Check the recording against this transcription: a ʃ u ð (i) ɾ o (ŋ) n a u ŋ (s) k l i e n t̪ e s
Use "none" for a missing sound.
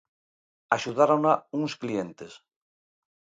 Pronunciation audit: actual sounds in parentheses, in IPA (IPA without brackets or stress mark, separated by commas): a, none, s